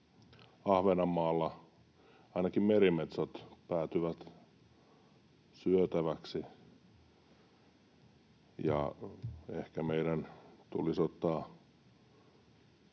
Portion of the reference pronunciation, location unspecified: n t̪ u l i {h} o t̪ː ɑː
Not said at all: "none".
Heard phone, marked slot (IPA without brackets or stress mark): s